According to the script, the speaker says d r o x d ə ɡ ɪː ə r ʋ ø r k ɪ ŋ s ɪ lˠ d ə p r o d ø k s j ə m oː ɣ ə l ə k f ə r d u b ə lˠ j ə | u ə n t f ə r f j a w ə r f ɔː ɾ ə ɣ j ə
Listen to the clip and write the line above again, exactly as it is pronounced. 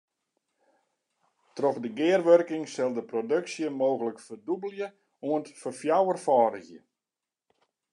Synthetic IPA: t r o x d ə ɡ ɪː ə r ʋ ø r k ɪ ŋ s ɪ lˠ d ə p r o d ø k s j ə m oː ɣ ə l ə k f ə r d u b ə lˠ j ə | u ə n t f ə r f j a w ə r f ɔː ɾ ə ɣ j ə